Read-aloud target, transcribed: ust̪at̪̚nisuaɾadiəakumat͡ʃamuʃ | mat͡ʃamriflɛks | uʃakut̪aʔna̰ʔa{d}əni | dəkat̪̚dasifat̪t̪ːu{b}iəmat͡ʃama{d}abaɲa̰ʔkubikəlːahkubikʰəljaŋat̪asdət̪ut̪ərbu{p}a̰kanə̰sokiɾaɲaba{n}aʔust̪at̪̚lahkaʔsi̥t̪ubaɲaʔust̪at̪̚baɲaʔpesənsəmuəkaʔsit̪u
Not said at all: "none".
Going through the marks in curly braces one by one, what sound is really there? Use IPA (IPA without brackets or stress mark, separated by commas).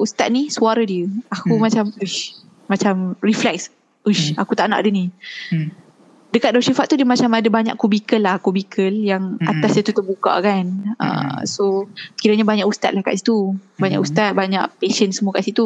d, d, d, k, ɲ